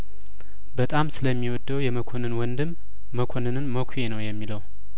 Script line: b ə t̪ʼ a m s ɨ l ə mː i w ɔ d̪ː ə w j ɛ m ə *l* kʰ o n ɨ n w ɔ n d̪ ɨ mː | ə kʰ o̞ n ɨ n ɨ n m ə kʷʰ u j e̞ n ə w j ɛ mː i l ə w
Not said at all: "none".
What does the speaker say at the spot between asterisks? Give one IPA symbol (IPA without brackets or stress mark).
none